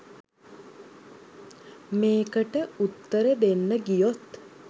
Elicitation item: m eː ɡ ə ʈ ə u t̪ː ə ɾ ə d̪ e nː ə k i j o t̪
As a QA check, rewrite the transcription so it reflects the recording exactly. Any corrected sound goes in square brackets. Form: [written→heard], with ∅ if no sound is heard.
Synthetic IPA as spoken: m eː [ɡ→k] ə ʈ ə u t̪ː ə ɾ ə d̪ e nː ə [k→ɡ] i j o t̪